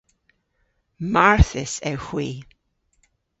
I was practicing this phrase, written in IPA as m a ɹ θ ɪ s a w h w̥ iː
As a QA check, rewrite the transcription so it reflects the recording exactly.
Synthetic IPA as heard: m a ɹ θ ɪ s ɛ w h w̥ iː